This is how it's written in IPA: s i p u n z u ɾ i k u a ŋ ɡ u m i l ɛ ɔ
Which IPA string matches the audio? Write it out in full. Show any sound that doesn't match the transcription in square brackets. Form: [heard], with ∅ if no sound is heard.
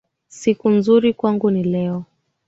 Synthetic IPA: s i [k] u n z u ɾ i k [w] a ŋ ɡ u [n] i l ɛ ɔ